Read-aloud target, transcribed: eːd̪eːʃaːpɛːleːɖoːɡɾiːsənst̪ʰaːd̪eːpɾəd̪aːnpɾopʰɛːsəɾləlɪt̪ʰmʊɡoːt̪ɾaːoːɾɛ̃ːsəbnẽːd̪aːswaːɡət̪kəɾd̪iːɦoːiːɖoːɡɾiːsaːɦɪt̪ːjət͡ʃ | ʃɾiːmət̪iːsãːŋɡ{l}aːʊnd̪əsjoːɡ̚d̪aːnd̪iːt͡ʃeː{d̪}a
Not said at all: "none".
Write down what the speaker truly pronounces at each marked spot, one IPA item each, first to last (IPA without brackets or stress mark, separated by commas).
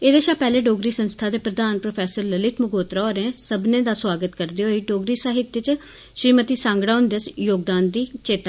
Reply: ɽ, t̪